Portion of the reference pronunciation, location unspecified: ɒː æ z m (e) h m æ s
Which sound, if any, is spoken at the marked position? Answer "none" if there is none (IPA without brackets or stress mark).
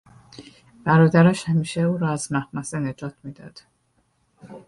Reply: æ